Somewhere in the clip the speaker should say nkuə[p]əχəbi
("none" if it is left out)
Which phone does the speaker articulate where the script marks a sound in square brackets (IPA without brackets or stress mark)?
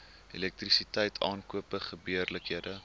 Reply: p